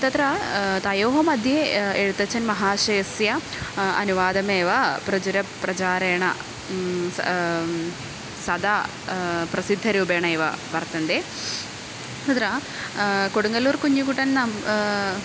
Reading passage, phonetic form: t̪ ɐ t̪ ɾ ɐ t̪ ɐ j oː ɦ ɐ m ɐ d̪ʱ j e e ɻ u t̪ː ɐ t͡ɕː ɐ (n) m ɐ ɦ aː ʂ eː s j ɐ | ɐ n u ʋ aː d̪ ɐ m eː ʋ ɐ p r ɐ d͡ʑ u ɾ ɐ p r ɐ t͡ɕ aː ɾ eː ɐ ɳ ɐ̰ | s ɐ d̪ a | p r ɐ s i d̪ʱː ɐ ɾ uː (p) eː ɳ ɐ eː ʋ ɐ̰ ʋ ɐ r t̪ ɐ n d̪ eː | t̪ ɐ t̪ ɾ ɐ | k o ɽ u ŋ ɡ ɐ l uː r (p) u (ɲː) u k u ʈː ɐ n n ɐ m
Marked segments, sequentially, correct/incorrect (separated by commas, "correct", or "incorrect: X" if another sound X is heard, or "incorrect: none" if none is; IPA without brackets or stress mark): correct, incorrect: b, incorrect: k, correct